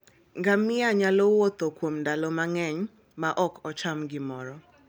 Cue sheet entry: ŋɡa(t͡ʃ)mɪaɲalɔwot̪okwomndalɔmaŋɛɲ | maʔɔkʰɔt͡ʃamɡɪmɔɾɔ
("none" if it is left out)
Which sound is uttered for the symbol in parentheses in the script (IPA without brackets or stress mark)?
none